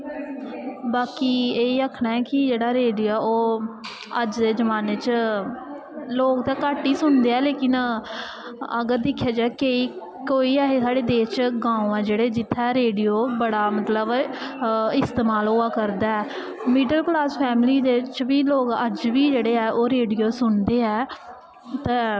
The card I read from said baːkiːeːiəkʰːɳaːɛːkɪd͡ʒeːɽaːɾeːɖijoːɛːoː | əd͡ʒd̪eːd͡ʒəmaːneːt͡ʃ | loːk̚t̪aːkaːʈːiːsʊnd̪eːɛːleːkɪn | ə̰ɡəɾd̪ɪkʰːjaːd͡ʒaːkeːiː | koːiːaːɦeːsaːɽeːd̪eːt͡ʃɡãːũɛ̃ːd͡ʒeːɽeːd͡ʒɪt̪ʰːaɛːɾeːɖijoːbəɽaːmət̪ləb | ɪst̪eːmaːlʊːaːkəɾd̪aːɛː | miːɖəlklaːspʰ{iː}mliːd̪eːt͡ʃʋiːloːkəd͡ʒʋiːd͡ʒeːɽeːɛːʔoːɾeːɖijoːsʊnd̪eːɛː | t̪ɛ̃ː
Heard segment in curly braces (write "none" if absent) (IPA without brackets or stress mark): ɛː